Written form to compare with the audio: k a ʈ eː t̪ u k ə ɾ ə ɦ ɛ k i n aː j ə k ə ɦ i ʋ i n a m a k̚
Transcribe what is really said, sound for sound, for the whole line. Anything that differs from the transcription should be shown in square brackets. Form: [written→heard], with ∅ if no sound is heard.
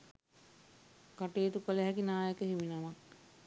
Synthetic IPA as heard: k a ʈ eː t̪ u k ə [ɾ→l] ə ɦ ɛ k i n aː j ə k ə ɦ i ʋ i n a m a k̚